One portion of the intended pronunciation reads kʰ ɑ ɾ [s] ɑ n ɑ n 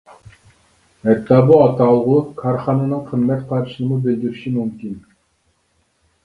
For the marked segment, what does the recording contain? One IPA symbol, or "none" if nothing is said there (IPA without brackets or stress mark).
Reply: χ